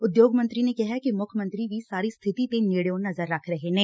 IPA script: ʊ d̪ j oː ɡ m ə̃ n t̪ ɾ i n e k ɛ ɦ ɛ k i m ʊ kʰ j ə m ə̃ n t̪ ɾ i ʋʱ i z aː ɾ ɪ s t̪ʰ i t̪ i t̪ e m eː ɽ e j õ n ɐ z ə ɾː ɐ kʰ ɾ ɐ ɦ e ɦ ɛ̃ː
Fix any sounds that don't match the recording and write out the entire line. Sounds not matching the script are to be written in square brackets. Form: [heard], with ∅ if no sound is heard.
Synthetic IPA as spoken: ʊ d̪ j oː ɡ m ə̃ n t̪ ɾ i n e k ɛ ɦ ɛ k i m ʊ kʰ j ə m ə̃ n t̪ ɾ i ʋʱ i [s] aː ɾ [i] s t̪ʰ [ɪ] t̪ i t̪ e [n] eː ɽ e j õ n ɐ z ə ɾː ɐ kʰ ɾ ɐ ɦ e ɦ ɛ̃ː